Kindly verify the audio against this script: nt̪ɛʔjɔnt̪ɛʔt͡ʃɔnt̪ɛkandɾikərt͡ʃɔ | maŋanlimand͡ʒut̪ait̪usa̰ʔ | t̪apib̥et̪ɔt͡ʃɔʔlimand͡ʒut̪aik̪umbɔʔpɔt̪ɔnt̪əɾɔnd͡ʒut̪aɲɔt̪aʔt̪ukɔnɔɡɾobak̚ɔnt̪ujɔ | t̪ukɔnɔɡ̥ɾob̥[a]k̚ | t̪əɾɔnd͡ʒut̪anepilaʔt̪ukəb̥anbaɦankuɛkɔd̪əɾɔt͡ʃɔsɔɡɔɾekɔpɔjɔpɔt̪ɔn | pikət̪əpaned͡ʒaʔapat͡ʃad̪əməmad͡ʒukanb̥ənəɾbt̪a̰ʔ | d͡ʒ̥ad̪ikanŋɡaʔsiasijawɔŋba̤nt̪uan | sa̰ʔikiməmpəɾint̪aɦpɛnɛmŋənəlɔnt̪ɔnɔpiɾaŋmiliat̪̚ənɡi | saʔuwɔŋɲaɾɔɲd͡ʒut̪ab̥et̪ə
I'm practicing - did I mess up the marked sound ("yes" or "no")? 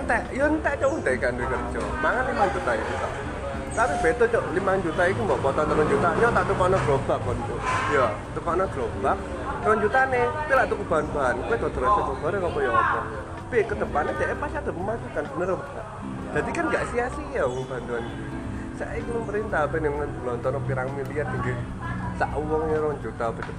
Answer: no